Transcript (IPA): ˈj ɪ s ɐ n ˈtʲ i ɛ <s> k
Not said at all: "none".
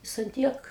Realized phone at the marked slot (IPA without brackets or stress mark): none